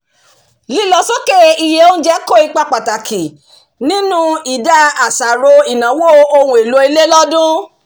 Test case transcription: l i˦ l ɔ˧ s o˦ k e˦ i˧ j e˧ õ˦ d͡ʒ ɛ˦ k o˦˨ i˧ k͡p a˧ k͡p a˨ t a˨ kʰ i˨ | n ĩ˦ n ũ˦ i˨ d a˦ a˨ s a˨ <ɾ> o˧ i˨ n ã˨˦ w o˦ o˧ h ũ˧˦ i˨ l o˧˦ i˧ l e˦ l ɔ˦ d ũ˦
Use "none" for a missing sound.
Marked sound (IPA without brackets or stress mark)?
ɾ